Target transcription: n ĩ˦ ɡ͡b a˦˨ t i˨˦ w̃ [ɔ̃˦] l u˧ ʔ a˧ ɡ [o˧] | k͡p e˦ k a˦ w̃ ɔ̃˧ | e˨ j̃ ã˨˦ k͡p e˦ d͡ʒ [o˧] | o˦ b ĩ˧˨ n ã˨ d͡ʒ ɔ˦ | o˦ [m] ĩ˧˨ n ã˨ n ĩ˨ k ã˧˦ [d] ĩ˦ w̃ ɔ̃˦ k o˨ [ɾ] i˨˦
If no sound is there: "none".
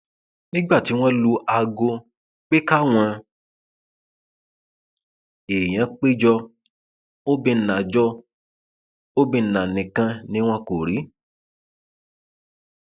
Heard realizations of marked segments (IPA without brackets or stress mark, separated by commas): ɔ̃˦, o˧, ɔ˧, b, n, ɾ